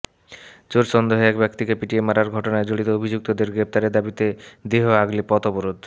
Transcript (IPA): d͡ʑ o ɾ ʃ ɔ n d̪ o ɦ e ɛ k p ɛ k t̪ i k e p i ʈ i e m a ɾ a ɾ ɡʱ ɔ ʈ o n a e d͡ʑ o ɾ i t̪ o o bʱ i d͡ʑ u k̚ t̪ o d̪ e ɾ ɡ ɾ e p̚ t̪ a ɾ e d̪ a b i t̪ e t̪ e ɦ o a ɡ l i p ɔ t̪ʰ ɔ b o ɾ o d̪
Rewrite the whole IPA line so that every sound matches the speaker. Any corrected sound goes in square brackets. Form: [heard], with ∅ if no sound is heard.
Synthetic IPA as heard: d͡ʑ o ɾ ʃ ɔ n d̪ o ɦ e ɛ k [b] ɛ k t̪ i k e p i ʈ i e m a ɾ a ɾ ɡʱ ɔ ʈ o n a e d͡ʑ o [ɽ] i t̪ o o bʱ i d͡ʑ u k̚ t̪ o d̪ e ɾ ɡ ɾ e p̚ t̪ a ɾ e d̪ a b i t̪ e [d̪] e ɦ o a ɡ l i p ɔ [t̪] ɔ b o ɾ o d̪